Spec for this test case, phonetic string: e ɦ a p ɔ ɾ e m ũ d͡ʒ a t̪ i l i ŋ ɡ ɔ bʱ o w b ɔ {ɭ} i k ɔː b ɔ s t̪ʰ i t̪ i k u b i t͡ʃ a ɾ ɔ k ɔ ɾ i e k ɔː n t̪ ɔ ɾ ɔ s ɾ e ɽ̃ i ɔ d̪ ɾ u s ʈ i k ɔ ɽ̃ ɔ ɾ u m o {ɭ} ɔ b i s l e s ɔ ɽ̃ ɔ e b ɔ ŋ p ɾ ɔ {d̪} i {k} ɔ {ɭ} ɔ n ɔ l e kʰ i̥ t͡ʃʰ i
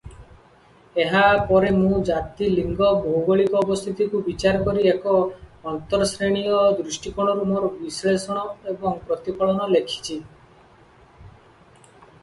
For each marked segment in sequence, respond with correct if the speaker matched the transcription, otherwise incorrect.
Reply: correct, incorrect, incorrect, incorrect, correct

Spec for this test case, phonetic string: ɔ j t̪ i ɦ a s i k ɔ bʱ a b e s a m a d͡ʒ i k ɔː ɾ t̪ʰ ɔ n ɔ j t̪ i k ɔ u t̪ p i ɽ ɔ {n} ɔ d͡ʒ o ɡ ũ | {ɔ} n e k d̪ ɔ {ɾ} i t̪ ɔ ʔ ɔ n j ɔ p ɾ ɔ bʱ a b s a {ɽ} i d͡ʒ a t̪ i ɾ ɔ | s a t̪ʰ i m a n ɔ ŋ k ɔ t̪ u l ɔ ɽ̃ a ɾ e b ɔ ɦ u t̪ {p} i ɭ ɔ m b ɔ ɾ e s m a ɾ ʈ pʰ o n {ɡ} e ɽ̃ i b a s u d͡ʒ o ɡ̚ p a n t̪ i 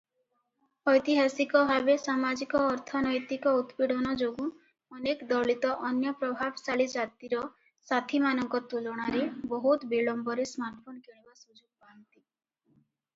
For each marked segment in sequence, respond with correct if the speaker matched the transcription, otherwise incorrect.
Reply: correct, correct, incorrect, incorrect, incorrect, incorrect

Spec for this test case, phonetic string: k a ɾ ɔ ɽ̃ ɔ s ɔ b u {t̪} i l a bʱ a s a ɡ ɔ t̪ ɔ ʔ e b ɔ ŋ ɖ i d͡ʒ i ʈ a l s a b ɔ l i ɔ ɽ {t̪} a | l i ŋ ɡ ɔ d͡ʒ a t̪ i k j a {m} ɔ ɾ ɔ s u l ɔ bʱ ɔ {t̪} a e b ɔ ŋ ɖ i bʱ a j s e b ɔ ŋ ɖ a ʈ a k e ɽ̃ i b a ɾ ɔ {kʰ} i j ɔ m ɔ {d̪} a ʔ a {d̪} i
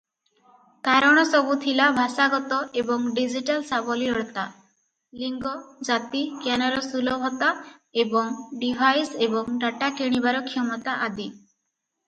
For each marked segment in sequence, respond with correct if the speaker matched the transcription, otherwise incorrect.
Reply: incorrect, correct, incorrect, correct, correct, incorrect, correct

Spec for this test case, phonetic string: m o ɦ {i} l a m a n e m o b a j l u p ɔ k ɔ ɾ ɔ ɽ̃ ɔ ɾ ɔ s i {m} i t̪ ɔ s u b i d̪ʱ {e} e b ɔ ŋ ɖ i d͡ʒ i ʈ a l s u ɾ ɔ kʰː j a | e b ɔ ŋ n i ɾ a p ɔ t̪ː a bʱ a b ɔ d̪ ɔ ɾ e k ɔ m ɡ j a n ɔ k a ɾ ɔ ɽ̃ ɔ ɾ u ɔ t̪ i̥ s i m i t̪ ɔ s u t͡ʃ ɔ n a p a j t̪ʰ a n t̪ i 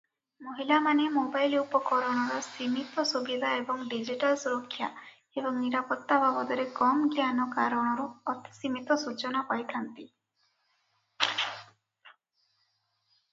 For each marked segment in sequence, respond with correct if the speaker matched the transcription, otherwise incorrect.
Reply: correct, correct, incorrect

